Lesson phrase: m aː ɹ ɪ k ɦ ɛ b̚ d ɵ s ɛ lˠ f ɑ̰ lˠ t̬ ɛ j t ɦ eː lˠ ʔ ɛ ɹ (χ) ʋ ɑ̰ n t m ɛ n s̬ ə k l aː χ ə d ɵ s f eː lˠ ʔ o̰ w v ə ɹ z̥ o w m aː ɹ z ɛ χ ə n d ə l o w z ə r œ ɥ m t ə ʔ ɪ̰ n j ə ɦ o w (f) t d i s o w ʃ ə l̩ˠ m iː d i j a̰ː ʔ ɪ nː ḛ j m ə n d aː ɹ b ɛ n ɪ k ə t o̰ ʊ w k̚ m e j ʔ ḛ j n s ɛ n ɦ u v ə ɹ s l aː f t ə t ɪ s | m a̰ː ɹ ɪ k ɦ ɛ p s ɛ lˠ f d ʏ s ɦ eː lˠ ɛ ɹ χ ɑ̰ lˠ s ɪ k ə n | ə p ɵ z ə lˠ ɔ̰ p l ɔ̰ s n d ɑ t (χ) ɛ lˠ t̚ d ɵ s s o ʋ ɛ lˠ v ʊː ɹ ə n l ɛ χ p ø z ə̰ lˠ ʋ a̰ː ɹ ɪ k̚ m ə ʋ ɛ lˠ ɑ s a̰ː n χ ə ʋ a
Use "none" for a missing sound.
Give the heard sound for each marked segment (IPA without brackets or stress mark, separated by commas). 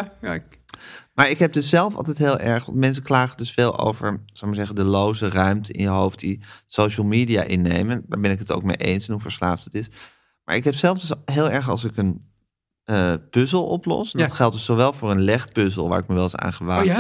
χ, f, χ